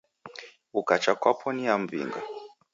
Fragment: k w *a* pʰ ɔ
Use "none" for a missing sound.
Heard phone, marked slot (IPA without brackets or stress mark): a